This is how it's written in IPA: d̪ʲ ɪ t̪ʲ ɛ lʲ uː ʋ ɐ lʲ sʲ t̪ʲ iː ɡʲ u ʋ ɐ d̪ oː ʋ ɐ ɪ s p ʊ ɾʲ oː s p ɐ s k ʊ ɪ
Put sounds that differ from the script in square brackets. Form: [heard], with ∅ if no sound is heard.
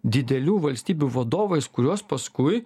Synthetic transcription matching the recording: d̪ʲ ɪ [d̪ʲ] ɛ lʲ uː ʋ ɐ lʲ sʲ t̪ʲ iː [bʲ] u ʋ ɐ d̪ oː ʋ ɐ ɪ s [k] ʊ ɾʲ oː s p ɐ s k ʊ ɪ